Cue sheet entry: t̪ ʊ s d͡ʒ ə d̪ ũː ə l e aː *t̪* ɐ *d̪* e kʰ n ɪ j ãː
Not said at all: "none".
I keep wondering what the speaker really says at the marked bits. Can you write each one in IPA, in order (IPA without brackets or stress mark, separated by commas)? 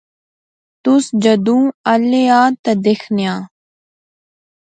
t̪, d̪